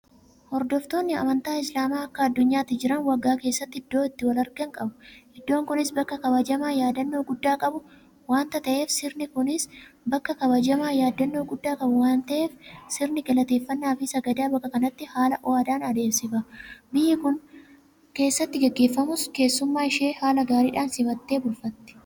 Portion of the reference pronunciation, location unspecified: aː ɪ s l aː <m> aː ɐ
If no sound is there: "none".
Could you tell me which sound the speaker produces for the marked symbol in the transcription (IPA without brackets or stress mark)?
m